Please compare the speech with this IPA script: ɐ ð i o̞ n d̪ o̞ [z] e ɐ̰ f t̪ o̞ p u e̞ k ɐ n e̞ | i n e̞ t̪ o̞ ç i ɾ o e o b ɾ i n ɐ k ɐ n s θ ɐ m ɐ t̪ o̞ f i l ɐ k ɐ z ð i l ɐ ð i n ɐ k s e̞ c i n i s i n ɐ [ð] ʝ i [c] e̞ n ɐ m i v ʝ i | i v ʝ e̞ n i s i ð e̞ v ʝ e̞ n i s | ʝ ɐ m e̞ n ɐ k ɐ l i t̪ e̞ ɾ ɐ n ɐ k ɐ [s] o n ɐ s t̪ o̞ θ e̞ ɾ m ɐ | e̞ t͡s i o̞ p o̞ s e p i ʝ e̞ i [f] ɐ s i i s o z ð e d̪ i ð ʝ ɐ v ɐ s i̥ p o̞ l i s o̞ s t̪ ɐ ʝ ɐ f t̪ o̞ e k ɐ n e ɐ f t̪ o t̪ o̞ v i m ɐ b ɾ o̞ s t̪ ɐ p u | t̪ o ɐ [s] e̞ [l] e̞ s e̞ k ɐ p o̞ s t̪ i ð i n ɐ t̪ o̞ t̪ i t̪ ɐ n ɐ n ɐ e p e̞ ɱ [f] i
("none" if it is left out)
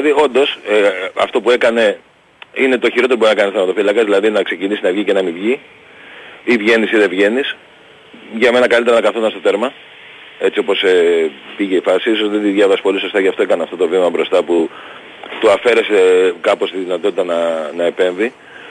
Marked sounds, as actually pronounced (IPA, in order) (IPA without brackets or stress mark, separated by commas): s, v, c, θ, f, f, ɾ, v